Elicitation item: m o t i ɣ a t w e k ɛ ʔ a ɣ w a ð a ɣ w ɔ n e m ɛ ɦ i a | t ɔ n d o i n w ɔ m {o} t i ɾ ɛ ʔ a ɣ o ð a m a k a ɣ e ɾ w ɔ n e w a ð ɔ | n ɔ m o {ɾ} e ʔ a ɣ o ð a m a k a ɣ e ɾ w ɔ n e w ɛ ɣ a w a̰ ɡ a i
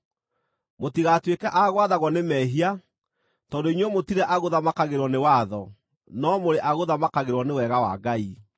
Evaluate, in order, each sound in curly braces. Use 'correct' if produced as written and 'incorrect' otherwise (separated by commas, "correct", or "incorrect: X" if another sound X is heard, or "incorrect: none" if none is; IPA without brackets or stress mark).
correct, correct